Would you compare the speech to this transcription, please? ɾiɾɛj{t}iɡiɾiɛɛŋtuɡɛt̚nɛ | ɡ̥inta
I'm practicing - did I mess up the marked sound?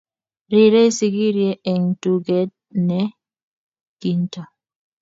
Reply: yes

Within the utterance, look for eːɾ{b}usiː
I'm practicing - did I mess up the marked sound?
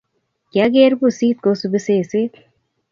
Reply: no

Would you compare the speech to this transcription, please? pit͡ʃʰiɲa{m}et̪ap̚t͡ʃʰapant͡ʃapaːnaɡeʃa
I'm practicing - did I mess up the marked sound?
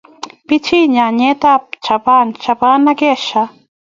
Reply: yes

